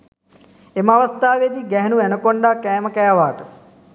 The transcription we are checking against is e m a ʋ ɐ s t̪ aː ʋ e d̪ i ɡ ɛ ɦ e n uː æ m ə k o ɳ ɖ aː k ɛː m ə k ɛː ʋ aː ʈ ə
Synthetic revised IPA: e m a ʋ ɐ s t̪ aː ʋ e d̪ i ɡ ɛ ɦ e n u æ n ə k o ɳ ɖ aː k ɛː m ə k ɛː ʋ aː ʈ ə